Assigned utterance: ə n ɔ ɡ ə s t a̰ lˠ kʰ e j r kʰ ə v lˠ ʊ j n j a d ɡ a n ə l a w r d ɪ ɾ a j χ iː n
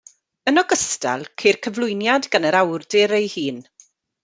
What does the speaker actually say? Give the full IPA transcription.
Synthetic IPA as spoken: ə n ɔ ɡ ə s t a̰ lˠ kʰ e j r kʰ ə v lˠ ʊ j n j a d ɡ a n ə ɾ a w r d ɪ ɾ e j h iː n